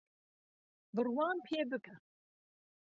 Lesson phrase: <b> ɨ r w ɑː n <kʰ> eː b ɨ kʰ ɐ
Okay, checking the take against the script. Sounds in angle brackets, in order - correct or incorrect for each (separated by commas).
correct, incorrect